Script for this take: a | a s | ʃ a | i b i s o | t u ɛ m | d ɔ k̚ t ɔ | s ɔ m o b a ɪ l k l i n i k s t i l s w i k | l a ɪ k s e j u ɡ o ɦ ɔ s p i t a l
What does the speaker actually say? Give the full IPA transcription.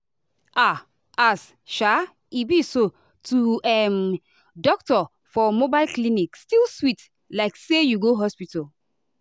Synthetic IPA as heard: a | a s | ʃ a | i b i s o | t u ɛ m | d ɔ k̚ t ɔ | f ɔ m o b a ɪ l k l i n i k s t i l s w i t | l a ɪ k s e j u ɡ o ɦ ɔ s p i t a l

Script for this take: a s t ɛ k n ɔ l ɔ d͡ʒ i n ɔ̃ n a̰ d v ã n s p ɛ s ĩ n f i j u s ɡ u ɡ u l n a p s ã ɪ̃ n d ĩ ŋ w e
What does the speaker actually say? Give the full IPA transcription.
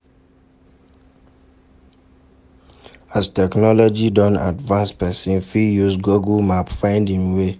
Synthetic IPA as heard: a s t ɛ k n ɔ l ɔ d͡ʒ i d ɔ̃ n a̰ d v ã n s p ɛ s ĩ n f i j u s ɡ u ɡ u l m a p f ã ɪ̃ n d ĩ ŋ w e

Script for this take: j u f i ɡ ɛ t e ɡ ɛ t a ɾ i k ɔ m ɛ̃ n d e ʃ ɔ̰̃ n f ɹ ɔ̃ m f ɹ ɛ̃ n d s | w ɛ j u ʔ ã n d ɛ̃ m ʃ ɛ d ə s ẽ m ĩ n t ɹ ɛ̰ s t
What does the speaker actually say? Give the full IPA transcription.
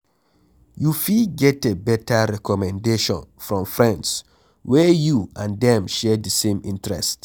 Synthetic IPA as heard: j u f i ɡ ɛ t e b ɛ t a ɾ ɛ k ɔ m ɛ̃ n d e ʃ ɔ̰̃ n f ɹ ɔ̃ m f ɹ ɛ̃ n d s | w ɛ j u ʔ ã n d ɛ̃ m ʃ ɛ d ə s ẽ m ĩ n t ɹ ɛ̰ s t

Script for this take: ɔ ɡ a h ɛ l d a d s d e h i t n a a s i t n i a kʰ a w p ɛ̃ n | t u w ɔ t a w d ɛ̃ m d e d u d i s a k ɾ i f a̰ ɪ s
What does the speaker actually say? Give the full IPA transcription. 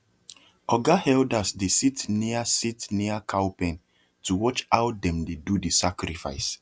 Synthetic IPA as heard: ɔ ɡ a h ɛ l d a s d e s i t n i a s i t n i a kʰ a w p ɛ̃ n | t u w ɔ t͡ʃ a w d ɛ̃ m d e d u d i s a k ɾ i f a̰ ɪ s

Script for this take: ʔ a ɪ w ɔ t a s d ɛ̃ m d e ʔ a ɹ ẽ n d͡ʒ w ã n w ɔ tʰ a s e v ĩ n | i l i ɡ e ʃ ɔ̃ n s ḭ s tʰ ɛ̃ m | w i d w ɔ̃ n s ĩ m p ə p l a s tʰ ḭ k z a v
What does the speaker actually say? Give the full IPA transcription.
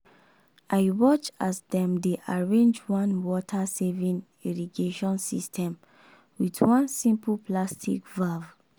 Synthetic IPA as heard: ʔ a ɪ w ɔ t͡ʃ a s d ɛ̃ m d e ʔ a ɹ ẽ n d͡ʒ w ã n w ɔ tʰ a s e v ĩ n | i ɹ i ɡ e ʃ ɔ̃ n s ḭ s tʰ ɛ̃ m | w i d w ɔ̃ n s ĩ m p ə p l a s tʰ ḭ k v a v

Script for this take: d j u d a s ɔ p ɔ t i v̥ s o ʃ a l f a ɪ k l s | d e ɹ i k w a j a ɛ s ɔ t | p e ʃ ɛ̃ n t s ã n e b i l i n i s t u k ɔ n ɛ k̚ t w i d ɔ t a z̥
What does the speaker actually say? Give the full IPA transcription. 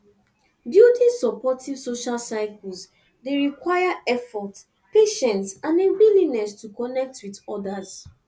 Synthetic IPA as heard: d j u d i s ɔ p ɔ t i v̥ s o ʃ a l s a ɪ k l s | d e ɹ i k w a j a ɛ f ɔ t | p e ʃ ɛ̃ n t s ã n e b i l i n ɛ s t u k ɔ n ɛ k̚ t w i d ɔ d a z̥

